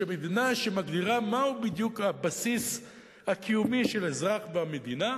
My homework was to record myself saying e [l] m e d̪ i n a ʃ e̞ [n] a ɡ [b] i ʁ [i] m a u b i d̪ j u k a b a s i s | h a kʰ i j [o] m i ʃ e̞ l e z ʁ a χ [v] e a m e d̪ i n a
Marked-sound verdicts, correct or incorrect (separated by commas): incorrect, incorrect, incorrect, incorrect, incorrect, correct